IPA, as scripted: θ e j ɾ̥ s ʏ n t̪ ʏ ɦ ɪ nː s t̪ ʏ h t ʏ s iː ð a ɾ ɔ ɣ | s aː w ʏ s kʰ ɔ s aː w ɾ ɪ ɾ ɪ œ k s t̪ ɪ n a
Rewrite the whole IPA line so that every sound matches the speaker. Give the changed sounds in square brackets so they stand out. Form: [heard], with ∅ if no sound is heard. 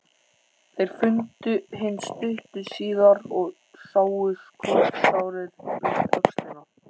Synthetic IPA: θ e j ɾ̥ [f] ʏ n t̪ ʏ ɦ ɪ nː s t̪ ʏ h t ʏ s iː ð a ɾ ɔ ɣ | s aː w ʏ s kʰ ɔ s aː w ɾ ɪ ɾ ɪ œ k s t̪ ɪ n a

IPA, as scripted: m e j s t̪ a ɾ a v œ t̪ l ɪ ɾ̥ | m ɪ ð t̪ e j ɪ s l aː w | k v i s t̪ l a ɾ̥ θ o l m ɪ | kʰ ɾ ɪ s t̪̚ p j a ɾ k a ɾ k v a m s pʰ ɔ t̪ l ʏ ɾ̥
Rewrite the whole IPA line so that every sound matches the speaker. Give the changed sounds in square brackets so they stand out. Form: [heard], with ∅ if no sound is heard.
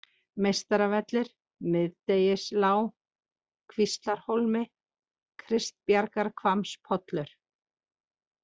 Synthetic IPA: m e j s t̪ a ɾ a v [ɛ] t̪ l ɪ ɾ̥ | m ɪ ð t̪ e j ɪ s l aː w | [kʰ] v i s t̪ l a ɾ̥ [h] o l m ɪ | kʰ ɾ ɪ s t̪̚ p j a ɾ k a ɾ [kʰ] v a m s pʰ ɔ t̪ l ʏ ɾ̥

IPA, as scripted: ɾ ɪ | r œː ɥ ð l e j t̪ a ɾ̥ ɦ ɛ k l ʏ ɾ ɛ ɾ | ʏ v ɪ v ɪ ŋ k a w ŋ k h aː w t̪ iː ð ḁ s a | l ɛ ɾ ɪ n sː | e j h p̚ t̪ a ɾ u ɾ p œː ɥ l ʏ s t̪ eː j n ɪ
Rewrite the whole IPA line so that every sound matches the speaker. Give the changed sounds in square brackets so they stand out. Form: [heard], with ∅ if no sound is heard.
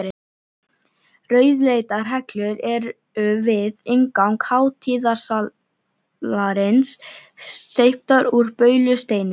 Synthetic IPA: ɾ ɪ | r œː ɥ ð l e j t̪ a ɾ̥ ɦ ɛ k l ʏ ɾ ɛ ɾ | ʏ v ɪ [ð] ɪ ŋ k a w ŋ k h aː w [t̪ʰ] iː ð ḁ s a | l [a] ɾ ɪ n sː | e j h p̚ t̪ a ɾ u ɾ p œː ɥ l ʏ s t̪ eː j n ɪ

